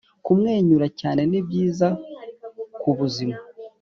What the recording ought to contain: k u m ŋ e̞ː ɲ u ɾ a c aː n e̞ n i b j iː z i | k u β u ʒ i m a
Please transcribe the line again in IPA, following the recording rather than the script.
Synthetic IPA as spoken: k u m ŋ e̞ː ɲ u ɾ a c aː n e̞ n i b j iː z a | k u β u z i m a